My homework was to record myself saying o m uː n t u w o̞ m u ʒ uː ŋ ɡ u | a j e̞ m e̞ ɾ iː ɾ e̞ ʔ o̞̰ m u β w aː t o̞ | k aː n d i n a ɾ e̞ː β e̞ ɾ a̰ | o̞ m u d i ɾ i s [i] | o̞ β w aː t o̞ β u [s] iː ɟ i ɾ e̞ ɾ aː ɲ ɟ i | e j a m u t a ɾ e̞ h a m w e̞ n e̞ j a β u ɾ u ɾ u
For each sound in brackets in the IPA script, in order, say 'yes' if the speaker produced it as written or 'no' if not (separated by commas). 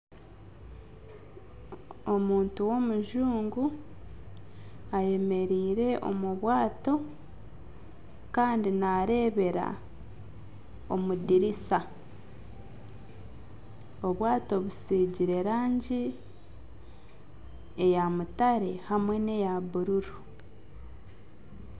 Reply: no, yes